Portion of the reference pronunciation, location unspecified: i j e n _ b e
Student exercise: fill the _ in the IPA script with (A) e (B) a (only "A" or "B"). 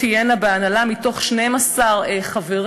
B